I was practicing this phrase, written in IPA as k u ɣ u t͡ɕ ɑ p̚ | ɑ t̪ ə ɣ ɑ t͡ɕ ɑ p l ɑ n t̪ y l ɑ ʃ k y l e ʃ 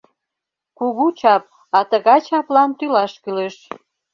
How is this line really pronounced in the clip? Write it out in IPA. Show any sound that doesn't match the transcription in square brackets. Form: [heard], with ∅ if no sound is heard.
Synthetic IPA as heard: k u ɣ u t͡ɕ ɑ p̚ | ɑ t̪ ə ɣ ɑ t͡ɕ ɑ p l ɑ n t̪ y l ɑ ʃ k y l e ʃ

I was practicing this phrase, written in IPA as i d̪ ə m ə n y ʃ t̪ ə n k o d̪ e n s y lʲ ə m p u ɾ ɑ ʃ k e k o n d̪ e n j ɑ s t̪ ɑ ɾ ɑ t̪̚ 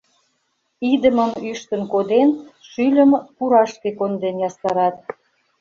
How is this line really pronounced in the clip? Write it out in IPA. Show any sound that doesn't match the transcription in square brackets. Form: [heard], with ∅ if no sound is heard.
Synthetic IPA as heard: i d̪ ə m ə [m] y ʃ t̪ ə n k o d̪ e n [ʃ] y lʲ ə m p u ɾ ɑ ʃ k e k o n d̪ e n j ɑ s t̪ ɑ ɾ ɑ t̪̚

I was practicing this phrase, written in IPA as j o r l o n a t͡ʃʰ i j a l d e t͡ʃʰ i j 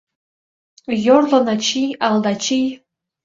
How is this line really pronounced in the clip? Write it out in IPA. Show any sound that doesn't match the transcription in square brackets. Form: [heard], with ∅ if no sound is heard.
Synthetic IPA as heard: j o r l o n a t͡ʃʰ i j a l d [a] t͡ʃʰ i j

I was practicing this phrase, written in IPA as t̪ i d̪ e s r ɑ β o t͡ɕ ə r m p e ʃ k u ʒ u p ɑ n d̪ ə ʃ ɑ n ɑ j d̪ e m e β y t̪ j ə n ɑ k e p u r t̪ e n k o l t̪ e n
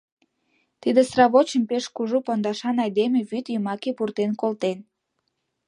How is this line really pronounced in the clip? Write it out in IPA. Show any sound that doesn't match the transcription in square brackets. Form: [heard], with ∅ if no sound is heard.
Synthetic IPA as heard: t̪ i d̪ e s r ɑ β o t͡ɕ ə [∅] m p e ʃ k u ʒ u p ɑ n d̪ [ɑ] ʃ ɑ n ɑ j d̪ e m e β y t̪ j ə [m] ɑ k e p u r t̪ e n k o l t̪ e n

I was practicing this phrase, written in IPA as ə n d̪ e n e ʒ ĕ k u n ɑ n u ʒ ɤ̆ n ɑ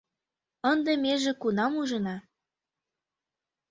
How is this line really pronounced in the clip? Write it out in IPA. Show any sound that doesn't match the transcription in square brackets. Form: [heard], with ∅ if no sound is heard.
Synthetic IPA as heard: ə n d̪ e [m] e ʒ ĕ k u n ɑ [m] u ʒ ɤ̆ n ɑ

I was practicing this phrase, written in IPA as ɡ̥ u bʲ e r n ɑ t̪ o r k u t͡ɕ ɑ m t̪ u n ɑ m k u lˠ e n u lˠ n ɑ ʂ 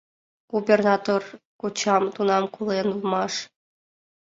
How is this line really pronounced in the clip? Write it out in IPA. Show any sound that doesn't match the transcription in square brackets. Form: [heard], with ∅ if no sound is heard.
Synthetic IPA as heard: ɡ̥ u bʲ e r n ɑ t̪ o r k u t͡ɕ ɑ m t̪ u n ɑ m k u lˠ e n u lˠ [m] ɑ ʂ

